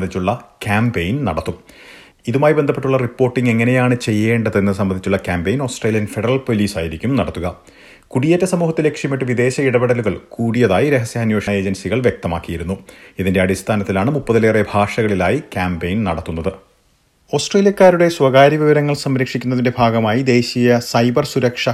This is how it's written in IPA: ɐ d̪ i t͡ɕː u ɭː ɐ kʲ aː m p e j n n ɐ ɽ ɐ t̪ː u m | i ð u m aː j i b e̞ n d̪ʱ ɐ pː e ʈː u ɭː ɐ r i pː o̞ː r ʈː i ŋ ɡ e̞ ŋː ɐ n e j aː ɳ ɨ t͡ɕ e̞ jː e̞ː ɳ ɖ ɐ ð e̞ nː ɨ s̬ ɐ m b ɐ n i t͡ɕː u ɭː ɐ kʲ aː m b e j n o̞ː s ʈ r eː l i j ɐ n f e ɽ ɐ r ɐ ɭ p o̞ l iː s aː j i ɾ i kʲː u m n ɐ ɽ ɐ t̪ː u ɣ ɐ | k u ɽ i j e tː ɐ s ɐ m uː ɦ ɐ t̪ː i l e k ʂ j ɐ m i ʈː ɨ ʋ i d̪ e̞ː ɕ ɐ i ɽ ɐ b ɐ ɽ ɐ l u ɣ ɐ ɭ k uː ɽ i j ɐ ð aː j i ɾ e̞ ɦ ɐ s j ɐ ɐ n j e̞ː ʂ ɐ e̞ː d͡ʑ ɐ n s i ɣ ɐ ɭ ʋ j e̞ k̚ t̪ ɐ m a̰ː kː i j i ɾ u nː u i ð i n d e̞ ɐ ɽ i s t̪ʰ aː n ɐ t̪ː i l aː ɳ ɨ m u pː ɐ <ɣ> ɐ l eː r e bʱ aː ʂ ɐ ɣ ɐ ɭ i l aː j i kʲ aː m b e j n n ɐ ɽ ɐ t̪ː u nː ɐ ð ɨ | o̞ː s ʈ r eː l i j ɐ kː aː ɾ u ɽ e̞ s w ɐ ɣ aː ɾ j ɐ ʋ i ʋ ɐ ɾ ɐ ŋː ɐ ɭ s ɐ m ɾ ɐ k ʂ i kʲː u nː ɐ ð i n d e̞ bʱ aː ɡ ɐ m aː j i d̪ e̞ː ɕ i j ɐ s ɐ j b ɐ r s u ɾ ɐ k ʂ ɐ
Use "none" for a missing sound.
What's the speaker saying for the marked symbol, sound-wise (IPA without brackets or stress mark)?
ð